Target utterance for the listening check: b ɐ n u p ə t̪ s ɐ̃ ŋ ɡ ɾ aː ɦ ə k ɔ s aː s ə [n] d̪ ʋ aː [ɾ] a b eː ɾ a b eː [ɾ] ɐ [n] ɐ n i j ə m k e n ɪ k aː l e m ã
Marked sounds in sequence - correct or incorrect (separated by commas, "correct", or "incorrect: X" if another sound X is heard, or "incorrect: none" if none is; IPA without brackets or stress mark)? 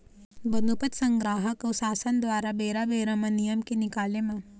correct, correct, correct, incorrect: m